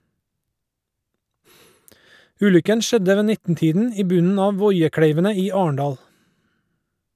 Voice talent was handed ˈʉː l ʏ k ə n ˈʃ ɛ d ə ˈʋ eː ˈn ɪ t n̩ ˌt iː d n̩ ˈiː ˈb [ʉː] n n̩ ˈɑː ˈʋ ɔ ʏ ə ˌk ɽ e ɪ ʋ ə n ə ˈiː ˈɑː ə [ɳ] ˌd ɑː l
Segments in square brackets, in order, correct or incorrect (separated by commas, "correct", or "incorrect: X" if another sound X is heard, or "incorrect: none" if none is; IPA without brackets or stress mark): incorrect: ʉ, correct